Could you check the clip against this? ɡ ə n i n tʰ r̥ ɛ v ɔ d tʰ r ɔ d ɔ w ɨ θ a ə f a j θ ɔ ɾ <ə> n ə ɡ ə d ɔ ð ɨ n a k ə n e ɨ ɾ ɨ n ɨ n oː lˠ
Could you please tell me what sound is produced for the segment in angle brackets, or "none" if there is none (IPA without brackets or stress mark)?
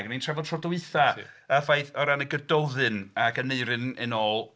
a